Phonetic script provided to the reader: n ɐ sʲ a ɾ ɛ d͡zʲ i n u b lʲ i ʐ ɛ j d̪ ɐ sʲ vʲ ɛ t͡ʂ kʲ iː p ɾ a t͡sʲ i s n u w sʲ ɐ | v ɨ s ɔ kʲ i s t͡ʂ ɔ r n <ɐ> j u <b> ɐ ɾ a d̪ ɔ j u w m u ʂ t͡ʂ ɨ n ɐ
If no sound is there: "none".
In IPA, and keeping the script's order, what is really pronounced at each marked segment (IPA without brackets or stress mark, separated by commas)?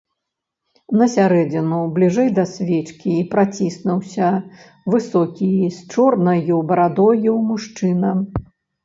ɐ, b